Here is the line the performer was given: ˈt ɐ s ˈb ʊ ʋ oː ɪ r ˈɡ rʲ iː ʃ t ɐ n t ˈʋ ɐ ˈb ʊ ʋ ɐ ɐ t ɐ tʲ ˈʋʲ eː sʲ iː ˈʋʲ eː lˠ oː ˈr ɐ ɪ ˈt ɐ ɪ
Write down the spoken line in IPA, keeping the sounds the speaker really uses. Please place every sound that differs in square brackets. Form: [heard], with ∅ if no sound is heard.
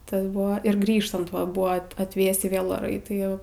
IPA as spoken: ˈt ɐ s ˈb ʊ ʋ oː ɪ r ˈɡ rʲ iː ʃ t ɐ n t ˈʋ ɐ ˈb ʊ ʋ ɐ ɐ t ɐ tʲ ˈʋʲ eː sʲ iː ˈʋʲ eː lˠ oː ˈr ɐ ɪ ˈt ɐ ɪ